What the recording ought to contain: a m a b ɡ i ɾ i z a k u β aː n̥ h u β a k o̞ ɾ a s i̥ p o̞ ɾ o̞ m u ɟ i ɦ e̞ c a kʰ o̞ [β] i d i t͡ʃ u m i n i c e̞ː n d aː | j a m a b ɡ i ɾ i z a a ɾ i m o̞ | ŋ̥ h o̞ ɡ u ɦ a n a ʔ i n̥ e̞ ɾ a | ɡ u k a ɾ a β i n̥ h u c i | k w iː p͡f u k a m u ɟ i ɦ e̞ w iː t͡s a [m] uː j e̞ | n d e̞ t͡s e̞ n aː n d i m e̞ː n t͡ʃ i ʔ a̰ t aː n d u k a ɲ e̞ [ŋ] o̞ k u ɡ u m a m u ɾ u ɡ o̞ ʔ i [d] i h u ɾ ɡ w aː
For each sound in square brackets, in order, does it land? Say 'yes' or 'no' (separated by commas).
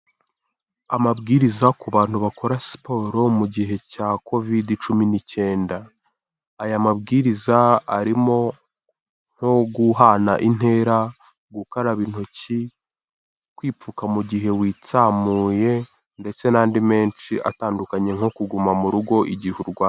no, yes, yes, no